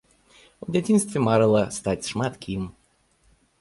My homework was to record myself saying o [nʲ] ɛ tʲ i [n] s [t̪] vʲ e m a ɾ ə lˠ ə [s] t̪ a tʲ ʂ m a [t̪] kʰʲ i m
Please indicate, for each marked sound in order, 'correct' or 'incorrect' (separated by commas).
incorrect, correct, correct, correct, correct